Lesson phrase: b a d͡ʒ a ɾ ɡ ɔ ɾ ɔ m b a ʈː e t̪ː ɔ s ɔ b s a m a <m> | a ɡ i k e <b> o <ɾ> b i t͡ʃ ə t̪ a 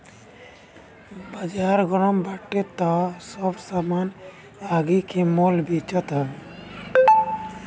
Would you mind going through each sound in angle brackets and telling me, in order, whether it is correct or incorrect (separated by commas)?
incorrect, incorrect, incorrect